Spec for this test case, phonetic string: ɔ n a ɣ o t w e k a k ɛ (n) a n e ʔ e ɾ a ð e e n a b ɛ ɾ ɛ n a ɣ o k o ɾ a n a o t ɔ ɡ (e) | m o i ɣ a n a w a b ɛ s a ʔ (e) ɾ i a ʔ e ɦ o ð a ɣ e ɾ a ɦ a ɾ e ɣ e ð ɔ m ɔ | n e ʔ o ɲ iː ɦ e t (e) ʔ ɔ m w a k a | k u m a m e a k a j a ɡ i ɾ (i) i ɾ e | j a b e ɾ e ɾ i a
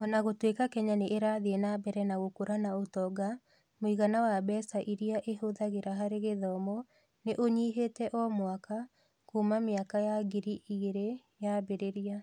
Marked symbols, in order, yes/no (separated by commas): no, no, no, no, yes